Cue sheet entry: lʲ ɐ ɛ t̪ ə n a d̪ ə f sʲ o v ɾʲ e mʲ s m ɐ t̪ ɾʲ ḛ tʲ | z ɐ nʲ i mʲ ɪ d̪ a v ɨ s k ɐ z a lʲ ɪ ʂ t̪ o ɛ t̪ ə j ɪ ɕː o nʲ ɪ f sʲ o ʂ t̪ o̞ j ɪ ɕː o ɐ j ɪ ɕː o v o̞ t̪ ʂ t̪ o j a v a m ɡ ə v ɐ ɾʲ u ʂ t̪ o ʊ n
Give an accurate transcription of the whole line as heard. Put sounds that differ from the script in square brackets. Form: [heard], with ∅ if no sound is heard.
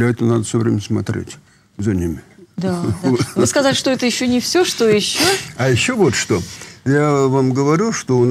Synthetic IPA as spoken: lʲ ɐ ɛ t̪ ə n a d̪ ə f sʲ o v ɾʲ e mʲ s m ɐ t̪ ɾʲ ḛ tʲ | z ɐ nʲ i mʲ ɪ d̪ a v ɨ s k ɐ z a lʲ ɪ ʂ t̪ o ɛ t̪ ə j ɪ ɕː o nʲ ɪ f sʲ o ʂ t̪ o̞ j ɪ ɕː o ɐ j ɪ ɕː o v o̞ t̪ ʂ t̪ o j a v a m ɡ ə v ɐ ɾʲ u ʂ t̪ o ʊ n